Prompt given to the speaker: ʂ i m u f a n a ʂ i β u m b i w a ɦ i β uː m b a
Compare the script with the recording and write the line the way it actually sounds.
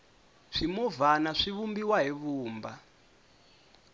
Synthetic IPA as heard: ʂ i m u v a n a ʂ i β u m b i w a ɦ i β uː m b a